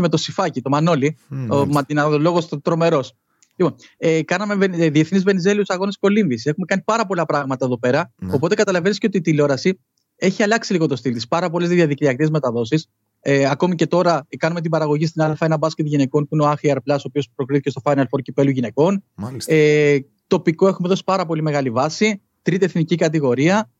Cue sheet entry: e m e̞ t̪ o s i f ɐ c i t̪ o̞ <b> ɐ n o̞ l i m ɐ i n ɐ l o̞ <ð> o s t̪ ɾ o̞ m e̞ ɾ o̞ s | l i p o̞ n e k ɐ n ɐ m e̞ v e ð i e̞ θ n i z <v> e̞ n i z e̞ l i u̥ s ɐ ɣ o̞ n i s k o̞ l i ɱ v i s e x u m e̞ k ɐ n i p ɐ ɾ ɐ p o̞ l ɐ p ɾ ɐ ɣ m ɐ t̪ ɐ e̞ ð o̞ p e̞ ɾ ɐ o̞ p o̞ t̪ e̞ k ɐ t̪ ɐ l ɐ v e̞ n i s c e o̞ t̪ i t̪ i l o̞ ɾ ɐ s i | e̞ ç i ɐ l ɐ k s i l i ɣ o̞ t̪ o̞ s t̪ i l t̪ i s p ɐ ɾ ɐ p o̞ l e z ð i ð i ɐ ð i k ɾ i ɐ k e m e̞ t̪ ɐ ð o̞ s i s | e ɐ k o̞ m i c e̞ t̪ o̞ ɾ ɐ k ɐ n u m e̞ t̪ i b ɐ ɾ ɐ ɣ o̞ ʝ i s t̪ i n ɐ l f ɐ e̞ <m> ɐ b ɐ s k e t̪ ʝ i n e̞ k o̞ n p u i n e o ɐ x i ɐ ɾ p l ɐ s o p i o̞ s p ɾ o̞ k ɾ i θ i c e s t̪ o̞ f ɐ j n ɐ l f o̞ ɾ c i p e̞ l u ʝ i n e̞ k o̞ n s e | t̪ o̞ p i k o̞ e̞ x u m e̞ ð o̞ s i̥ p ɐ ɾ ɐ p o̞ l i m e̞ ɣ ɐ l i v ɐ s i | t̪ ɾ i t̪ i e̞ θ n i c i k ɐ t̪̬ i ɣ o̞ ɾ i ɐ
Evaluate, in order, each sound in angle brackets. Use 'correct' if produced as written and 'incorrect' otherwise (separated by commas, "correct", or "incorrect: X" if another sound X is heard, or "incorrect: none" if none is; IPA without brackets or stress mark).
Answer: incorrect: m, incorrect: ɣ, correct, incorrect: n